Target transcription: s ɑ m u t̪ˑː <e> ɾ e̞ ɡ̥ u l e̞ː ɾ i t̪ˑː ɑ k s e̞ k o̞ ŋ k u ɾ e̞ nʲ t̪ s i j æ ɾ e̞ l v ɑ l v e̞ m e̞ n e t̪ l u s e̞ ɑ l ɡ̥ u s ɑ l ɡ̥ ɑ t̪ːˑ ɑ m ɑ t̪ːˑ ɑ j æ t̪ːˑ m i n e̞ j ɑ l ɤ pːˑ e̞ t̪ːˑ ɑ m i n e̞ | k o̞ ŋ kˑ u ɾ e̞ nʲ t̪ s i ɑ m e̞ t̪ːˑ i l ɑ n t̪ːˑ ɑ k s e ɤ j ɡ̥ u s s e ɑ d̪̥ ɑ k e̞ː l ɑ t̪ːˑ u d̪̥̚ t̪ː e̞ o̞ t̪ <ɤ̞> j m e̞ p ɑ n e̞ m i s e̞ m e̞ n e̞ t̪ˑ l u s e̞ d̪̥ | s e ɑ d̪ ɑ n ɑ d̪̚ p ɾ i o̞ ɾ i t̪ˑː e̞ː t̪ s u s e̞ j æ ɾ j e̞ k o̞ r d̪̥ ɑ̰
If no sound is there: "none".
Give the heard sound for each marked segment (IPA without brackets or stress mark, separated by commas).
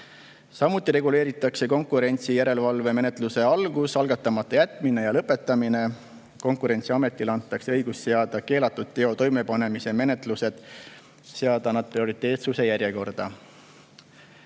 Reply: i, o̞